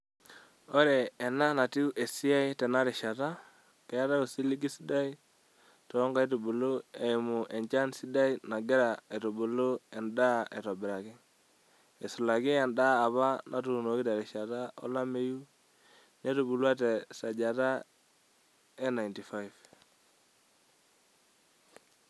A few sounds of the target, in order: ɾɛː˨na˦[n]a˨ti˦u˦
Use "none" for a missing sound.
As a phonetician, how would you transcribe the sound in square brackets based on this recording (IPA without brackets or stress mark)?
n